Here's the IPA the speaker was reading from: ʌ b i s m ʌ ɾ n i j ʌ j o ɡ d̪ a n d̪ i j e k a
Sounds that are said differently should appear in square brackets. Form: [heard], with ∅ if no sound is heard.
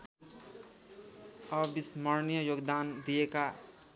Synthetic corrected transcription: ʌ b i s m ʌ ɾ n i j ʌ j o ɡ d̪ a n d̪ i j e k a